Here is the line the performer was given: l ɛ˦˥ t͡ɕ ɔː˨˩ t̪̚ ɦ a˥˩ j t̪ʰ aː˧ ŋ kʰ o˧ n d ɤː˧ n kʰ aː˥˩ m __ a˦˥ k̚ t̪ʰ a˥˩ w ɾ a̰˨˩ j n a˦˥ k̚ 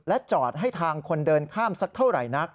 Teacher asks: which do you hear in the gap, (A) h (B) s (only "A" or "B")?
B